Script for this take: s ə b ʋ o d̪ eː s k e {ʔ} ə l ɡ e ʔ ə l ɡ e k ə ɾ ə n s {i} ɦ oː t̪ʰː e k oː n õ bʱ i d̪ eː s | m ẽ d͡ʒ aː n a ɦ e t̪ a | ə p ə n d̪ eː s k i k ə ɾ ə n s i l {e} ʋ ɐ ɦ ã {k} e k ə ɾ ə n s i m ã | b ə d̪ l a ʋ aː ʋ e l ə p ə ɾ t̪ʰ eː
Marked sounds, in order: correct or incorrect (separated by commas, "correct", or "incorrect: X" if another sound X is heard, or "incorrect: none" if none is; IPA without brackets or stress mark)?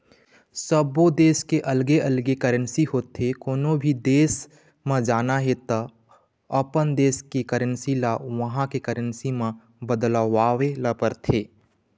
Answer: correct, correct, incorrect: a, correct